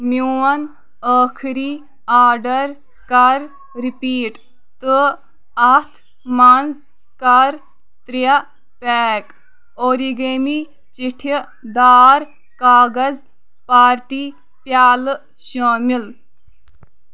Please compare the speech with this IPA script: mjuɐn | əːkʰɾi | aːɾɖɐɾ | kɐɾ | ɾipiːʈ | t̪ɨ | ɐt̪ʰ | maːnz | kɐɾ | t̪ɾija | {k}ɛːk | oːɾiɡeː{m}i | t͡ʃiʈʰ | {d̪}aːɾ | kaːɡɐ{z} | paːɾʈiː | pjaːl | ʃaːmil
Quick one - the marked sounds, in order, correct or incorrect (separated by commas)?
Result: incorrect, correct, correct, correct